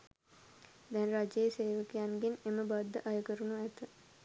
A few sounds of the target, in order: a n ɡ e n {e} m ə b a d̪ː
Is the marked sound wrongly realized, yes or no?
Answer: no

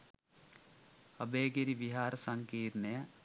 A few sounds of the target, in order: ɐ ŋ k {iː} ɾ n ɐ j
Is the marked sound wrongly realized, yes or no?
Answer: no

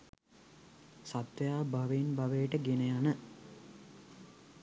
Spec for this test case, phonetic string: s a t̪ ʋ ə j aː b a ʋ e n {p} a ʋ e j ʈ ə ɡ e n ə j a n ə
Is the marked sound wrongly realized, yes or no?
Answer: yes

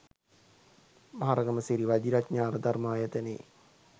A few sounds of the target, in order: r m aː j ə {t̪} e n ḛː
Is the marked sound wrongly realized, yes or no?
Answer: no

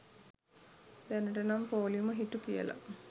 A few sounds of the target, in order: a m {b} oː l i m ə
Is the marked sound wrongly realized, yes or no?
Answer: yes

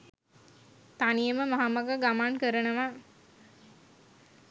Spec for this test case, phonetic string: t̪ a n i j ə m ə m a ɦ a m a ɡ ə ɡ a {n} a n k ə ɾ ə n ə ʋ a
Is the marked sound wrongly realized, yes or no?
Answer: yes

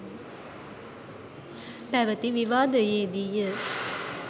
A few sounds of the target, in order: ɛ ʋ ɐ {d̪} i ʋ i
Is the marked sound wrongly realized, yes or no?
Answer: yes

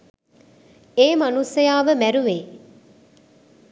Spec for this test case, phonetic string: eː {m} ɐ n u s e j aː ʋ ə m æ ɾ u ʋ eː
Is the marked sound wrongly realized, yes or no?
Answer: no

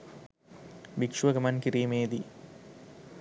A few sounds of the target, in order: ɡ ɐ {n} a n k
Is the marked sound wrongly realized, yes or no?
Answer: yes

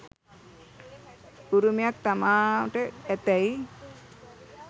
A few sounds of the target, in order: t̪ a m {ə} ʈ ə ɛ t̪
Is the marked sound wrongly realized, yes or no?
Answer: yes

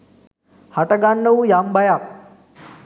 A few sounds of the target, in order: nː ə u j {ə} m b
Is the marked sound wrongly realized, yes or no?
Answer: yes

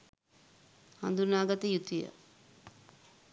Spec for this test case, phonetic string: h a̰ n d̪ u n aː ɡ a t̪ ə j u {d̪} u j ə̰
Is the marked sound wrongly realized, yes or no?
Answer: yes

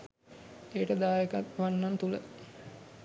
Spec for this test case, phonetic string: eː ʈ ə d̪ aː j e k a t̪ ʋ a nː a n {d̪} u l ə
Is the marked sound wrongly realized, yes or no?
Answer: yes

